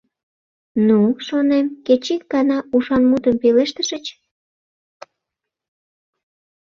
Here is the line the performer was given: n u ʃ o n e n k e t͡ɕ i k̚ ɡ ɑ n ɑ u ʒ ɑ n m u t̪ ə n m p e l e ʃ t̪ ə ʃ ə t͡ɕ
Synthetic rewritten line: n u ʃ o n e m k e t͡ɕ i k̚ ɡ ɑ n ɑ u ʃ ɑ n m u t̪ ə m p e l e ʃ t̪ ə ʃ ə t͡ɕ